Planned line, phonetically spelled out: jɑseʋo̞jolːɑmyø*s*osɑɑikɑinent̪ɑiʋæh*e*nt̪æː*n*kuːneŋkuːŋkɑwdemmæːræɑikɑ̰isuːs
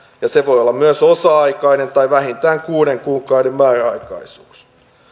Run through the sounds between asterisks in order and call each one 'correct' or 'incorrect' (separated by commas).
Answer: correct, incorrect, incorrect